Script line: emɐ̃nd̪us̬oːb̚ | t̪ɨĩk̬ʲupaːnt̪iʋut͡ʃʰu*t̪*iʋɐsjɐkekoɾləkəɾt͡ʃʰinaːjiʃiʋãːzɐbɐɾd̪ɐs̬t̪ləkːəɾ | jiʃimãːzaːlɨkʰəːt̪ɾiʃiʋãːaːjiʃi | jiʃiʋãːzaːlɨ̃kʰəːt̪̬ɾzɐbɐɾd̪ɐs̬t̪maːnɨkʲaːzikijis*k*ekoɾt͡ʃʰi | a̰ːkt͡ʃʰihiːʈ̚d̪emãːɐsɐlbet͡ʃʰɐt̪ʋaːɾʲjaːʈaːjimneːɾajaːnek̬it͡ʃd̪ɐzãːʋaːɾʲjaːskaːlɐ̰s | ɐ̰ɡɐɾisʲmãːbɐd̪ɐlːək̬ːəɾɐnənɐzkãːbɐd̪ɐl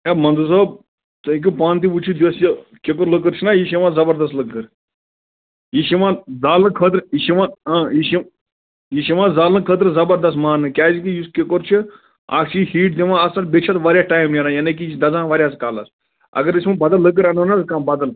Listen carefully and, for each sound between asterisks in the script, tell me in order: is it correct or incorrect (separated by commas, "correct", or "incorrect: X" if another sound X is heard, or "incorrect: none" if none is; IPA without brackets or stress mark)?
incorrect: d̪, correct